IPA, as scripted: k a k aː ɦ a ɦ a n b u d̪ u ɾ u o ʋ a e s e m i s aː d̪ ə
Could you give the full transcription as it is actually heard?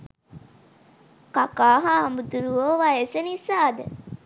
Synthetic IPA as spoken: k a k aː ɦ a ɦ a m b u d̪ u ɾ u o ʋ a e s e n i s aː d̪ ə